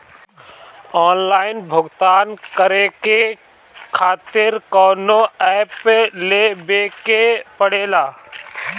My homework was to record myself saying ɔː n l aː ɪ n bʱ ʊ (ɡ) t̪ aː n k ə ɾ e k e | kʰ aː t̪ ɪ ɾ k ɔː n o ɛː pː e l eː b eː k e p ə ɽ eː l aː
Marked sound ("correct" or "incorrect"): correct